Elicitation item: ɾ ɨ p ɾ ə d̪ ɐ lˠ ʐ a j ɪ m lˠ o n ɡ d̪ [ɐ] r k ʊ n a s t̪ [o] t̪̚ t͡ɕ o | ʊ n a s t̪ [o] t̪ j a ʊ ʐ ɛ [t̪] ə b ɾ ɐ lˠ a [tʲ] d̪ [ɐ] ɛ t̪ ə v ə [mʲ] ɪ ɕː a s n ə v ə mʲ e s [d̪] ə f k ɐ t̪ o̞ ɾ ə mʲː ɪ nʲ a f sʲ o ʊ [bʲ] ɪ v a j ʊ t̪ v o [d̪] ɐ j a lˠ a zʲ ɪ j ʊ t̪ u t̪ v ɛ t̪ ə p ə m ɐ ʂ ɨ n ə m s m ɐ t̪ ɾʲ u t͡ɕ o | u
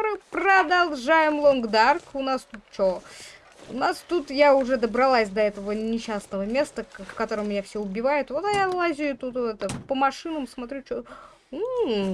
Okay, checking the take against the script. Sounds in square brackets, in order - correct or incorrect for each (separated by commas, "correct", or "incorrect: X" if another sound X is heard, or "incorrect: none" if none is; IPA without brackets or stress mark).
incorrect: a, incorrect: u, incorrect: u, incorrect: d̪, incorrect: sʲ, correct, incorrect: nʲ, incorrect: t̪, correct, incorrect: t̪